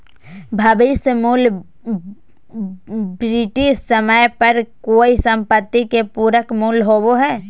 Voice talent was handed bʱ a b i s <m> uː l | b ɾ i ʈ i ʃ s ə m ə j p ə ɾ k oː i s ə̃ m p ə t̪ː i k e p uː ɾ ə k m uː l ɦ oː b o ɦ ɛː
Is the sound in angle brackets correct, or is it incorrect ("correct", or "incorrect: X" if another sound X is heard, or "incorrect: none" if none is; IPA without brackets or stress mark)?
correct